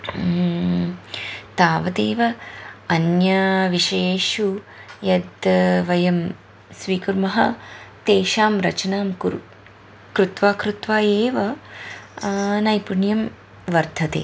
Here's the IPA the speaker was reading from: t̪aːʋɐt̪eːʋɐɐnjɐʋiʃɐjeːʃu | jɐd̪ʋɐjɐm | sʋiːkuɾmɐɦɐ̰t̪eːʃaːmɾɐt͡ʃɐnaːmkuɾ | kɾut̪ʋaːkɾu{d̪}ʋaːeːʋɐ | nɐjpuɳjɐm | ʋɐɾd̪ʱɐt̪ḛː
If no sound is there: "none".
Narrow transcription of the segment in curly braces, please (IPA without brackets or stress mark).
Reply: t̪